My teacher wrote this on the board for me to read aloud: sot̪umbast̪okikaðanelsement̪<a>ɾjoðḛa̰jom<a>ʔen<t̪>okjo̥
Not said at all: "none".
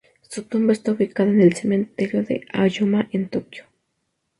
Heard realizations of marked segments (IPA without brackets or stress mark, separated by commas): e, a, t̪